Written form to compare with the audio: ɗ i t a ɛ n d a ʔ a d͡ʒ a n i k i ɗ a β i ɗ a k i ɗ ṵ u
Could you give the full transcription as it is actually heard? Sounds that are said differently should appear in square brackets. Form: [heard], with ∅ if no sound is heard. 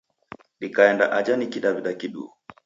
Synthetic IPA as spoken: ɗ i [k] a ɛ n d a ʔ a d͡ʒ a n i k i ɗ a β i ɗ a k i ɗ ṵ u